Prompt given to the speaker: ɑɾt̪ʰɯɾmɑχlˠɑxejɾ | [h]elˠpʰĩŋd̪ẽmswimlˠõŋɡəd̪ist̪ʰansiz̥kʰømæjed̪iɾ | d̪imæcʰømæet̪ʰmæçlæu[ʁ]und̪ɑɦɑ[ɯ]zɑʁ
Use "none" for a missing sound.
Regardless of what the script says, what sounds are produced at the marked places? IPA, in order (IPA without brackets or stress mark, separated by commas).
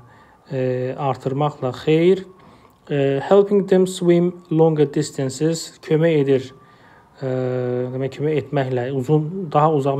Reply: h, z, u